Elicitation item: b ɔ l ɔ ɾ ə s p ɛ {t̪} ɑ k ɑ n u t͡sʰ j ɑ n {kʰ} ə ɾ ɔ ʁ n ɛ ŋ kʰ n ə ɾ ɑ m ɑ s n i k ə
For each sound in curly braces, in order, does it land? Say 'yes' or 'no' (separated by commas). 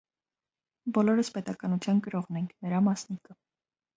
yes, no